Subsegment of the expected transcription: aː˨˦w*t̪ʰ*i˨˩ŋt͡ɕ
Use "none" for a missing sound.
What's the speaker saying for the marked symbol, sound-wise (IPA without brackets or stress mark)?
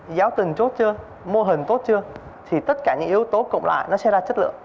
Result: t̪